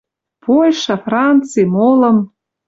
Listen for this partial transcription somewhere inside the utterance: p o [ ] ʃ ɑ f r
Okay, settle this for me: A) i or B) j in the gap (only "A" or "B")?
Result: B